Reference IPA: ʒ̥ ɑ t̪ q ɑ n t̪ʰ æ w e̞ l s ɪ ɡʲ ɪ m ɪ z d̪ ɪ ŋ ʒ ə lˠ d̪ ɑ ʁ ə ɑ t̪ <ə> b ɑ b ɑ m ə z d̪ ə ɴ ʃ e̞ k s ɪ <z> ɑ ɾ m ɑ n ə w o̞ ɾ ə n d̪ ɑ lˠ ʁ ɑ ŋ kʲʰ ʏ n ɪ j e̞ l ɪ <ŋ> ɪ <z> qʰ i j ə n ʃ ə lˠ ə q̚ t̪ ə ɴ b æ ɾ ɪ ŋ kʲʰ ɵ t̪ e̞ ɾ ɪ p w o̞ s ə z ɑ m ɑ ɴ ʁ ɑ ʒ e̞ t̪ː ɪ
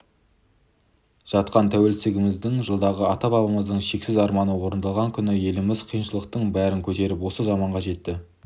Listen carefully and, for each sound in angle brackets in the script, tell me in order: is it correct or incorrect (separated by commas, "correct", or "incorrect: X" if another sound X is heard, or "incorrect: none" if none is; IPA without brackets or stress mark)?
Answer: incorrect: ɑ, correct, incorrect: m, correct